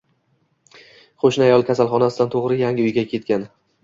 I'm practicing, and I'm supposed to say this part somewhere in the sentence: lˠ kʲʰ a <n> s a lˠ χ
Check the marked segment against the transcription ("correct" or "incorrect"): incorrect